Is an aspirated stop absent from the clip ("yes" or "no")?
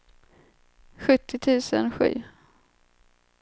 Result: no